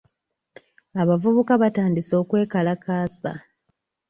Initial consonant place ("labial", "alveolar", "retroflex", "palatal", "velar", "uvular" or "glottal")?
labial